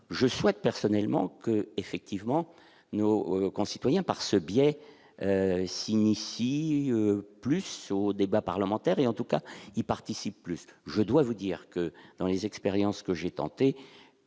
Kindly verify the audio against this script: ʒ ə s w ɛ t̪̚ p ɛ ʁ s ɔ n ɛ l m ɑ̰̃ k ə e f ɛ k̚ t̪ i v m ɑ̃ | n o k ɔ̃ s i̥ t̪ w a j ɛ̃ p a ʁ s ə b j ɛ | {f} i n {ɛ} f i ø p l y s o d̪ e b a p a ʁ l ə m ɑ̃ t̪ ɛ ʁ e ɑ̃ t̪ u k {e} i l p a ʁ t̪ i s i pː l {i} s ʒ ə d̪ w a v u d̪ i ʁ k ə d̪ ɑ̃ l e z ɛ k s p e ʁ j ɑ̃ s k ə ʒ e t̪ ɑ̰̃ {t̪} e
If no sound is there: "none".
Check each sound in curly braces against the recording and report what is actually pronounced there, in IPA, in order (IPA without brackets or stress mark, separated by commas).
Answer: s, i, a, y, t̪